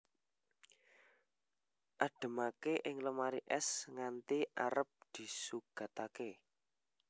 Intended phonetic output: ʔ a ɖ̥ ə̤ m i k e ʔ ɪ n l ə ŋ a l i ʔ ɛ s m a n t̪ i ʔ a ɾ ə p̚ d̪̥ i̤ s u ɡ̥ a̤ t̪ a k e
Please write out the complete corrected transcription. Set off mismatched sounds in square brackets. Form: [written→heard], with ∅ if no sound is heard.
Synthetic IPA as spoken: ʔ a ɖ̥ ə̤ m [i→a] k e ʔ ɪ [n→ŋ] l ə [ŋ→m] a [l→ɾ] i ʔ ɛ s [m→ŋ] a n t̪ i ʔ a ɾ ə p̚ d̪̥ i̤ s u ɡ̥ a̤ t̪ a k e